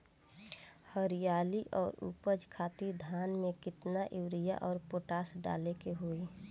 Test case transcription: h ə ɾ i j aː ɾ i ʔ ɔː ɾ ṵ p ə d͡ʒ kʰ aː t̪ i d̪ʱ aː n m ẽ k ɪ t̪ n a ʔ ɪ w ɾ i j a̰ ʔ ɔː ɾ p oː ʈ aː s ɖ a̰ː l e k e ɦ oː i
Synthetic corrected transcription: h ə ɾ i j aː l i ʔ ɔː ɾ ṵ p ə d͡ʒ kʰ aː t̪ i d̪ʱ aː n m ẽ k ɪ t̪ n a ʔ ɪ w ɾ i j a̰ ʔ ɔː ɾ p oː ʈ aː s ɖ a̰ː l e k e ɦ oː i